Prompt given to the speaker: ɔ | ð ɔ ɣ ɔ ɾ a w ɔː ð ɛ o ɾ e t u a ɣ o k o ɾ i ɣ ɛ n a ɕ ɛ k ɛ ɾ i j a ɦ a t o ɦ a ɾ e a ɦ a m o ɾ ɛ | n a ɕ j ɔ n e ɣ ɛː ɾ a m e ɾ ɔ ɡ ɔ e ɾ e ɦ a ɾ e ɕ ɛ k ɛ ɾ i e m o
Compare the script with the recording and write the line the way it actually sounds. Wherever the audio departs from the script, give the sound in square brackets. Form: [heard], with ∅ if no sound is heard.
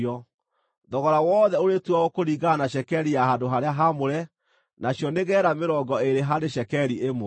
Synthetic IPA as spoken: ɔ | ð ɔ ɣ ɔ ɾ a w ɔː ð ɛ o ɾ e t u a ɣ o k o ɾ i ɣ [a] n a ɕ ɛ k ɛ ɾ i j a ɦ a [d] o ɦ a ɾ e a ɦ a m o ɾ ɛ | n a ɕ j ɔ n e ɣ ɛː ɾ a m e ɾ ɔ ɡ ɔ e ɾ e ɦ a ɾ e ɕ ɛ k ɛ ɾ i e m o